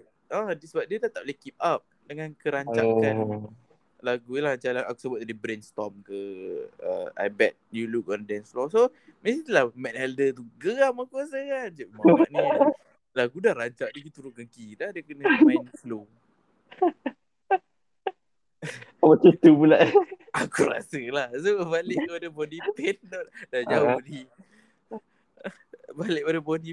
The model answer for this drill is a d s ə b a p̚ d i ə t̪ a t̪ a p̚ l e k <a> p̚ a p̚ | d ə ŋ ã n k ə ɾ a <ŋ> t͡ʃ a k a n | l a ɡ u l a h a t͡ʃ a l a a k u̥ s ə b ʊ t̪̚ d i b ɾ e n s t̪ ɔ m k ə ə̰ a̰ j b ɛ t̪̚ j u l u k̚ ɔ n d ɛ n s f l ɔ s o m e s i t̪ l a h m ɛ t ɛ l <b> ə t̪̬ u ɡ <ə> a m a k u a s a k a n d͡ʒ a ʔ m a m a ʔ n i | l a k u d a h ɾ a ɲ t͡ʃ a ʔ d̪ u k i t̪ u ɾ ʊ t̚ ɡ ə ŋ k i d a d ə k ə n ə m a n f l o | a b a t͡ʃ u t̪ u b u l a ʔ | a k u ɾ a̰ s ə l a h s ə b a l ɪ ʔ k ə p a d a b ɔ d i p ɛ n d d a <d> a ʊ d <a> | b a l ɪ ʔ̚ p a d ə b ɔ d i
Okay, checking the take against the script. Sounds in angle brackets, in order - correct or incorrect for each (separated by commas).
incorrect, incorrect, incorrect, correct, incorrect, incorrect